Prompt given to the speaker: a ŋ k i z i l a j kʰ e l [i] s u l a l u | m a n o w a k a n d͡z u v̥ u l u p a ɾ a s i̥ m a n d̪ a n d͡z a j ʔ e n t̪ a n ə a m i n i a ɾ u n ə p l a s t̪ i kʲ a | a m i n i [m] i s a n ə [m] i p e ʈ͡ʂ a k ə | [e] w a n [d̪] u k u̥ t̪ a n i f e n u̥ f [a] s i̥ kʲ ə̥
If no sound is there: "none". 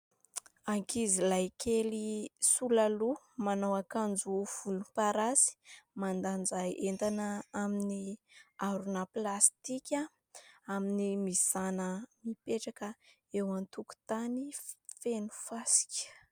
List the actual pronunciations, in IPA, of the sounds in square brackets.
i, m, m, e, t̪, a

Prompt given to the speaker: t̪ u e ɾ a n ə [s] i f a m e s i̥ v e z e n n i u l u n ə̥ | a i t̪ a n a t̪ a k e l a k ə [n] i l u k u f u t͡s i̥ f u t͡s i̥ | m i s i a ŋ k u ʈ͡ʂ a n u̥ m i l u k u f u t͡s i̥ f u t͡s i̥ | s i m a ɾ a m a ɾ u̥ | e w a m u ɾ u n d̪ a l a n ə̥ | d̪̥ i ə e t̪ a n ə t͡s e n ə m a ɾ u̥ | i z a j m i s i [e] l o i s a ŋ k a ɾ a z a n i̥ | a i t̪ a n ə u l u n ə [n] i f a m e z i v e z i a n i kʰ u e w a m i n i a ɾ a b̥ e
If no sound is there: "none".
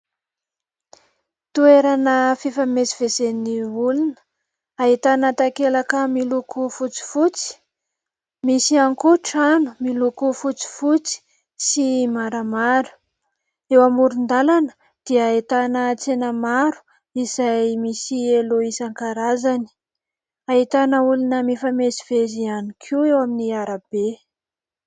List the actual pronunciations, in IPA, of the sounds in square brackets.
f, m, e, m

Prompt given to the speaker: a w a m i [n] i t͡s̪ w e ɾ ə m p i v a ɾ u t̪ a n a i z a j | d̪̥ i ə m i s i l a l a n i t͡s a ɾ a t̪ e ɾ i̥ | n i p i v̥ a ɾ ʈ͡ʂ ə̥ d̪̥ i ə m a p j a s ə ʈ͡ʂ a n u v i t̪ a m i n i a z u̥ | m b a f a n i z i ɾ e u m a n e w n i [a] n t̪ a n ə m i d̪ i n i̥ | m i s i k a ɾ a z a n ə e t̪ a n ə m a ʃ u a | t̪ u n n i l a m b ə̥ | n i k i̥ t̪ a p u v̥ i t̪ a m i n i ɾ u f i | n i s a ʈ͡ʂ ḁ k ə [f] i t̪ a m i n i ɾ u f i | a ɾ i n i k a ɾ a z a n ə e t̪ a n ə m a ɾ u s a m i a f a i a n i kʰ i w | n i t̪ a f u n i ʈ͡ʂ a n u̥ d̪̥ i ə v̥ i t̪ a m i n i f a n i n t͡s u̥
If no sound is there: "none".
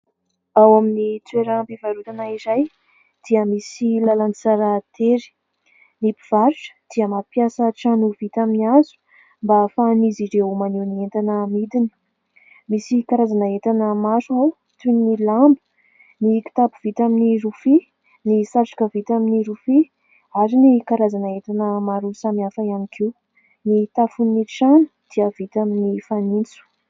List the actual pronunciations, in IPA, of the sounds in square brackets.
n, e, v

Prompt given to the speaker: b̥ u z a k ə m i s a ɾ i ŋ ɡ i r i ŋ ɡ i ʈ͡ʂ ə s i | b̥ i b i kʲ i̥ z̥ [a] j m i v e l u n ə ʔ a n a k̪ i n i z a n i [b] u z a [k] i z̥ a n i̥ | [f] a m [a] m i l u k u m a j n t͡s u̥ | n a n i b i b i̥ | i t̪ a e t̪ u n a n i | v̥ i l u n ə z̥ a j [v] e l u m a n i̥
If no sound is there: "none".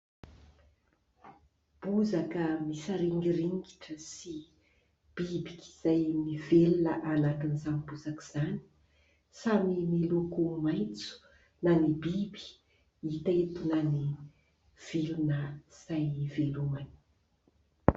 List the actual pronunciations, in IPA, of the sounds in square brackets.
a, b, k, s, i, v

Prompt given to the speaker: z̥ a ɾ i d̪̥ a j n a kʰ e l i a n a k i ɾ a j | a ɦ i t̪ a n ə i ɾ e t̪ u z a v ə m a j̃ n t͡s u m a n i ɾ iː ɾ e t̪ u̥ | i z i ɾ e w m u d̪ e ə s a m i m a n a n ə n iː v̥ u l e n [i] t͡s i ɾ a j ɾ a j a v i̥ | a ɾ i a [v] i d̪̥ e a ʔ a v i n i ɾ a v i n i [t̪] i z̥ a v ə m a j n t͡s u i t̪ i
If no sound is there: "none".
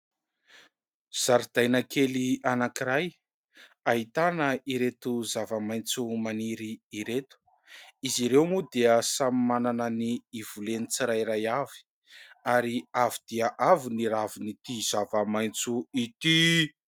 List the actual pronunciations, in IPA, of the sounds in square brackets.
i, v, t̪

